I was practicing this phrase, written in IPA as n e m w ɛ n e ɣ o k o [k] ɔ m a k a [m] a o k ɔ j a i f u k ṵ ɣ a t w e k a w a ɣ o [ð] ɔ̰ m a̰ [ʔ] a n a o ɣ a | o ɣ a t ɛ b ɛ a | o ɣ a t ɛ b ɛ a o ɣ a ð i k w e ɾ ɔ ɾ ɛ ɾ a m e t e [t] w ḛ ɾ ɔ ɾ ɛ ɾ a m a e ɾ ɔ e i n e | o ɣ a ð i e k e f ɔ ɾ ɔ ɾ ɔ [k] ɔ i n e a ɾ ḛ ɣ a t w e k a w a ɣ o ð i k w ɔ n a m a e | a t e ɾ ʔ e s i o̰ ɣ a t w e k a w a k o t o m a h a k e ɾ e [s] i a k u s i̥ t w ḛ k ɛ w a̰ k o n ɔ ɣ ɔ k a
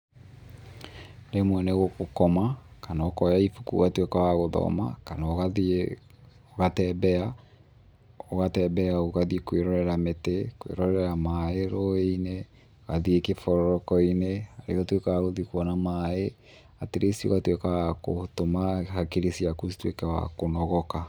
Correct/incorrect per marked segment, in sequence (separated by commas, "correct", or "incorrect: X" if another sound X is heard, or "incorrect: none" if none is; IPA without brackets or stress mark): correct, incorrect: n, correct, incorrect: k, incorrect: k, correct, correct